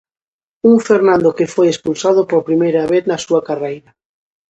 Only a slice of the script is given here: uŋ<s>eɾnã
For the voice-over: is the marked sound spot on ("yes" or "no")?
no